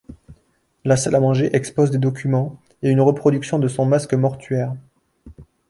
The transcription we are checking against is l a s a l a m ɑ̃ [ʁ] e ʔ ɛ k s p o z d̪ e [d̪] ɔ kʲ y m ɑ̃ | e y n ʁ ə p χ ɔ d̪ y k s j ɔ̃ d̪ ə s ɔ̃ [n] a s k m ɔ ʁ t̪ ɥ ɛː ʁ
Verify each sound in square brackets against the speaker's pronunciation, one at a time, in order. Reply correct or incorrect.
incorrect, correct, incorrect

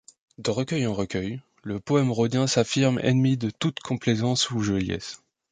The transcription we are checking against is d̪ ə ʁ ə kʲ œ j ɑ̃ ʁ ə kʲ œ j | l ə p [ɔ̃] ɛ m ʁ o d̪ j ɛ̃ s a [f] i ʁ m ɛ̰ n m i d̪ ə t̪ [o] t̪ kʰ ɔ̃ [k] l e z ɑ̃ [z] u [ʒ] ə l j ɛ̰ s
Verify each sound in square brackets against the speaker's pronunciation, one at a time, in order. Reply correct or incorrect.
incorrect, correct, incorrect, incorrect, incorrect, correct

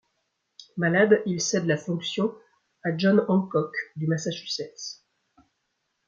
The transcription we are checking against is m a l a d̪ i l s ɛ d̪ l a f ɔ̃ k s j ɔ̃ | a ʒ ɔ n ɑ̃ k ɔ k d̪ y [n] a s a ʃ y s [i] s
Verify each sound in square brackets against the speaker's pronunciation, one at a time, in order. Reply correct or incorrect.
incorrect, incorrect

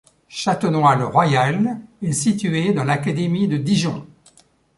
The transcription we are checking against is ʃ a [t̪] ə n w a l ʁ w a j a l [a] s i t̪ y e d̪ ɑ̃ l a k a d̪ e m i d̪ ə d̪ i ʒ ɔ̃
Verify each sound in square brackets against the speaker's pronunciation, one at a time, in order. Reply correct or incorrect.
correct, incorrect

